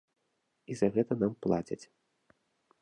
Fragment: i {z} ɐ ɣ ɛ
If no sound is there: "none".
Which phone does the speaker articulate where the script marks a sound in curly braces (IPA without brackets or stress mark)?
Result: z